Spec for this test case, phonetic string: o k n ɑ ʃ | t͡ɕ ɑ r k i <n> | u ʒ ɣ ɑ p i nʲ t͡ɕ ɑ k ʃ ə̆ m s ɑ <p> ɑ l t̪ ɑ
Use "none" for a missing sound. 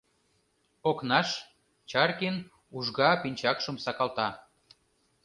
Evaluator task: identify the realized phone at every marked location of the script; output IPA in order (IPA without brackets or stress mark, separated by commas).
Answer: n, k